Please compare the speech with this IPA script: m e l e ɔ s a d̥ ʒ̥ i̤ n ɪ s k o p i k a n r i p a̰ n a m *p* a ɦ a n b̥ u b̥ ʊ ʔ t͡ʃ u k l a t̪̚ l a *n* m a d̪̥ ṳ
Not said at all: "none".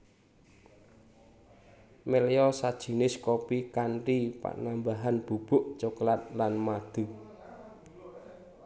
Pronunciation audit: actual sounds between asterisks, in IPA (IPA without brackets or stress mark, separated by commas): b, n